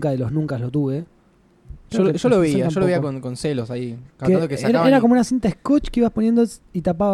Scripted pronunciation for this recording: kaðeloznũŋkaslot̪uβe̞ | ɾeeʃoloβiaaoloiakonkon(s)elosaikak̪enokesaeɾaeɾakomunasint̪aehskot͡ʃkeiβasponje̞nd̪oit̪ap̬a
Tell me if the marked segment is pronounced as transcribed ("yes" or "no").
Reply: yes